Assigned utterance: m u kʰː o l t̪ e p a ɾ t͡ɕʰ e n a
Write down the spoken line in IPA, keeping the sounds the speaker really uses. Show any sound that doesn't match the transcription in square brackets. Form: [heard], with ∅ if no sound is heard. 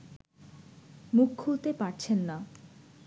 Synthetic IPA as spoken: m u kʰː [u] l t̪ e p a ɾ t͡ɕʰ e [nː] a